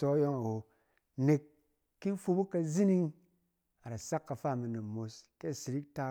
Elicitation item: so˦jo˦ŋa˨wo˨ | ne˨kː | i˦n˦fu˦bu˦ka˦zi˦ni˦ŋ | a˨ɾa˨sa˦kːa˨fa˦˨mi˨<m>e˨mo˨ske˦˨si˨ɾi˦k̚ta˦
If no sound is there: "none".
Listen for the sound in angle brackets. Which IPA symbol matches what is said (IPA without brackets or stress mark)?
n